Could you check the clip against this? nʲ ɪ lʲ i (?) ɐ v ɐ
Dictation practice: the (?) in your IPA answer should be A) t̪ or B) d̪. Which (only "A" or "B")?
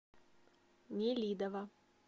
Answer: B